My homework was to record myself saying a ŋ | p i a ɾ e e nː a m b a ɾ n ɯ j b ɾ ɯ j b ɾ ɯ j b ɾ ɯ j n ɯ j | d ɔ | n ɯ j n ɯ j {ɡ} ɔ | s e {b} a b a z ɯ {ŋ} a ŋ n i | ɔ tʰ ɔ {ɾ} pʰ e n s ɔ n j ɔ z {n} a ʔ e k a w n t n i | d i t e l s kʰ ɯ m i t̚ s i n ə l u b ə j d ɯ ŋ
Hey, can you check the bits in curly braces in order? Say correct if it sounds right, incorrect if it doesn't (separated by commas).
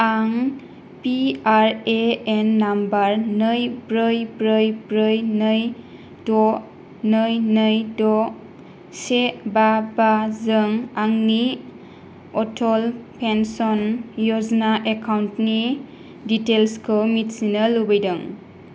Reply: incorrect, correct, correct, incorrect, correct